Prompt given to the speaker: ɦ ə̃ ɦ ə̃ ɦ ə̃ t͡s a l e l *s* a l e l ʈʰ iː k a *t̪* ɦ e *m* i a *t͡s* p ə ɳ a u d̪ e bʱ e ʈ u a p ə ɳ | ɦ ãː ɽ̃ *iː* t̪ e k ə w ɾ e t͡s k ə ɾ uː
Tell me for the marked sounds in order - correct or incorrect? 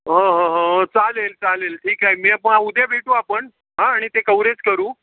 incorrect: t͡s, incorrect: none, correct, incorrect: none, incorrect: i

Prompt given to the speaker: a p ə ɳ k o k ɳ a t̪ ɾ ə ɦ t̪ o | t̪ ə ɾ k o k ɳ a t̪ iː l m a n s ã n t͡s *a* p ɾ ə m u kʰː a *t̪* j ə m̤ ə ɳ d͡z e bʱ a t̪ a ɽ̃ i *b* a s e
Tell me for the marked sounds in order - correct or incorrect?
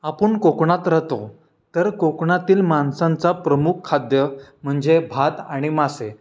correct, incorrect: d̪, incorrect: m

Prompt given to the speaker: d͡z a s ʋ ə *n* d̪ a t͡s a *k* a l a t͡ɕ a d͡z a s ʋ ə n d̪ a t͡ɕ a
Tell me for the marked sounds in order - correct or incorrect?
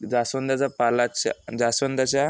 correct, incorrect: p

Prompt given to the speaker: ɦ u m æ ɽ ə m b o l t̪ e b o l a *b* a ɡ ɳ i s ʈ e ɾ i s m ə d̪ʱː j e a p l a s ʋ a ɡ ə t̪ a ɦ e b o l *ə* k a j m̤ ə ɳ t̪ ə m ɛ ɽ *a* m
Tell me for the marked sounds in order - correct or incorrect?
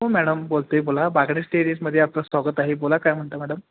correct, incorrect: a, incorrect: ə

